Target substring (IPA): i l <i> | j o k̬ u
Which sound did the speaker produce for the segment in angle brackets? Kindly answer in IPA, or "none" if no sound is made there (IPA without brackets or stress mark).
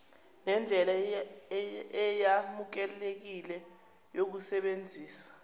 ɛ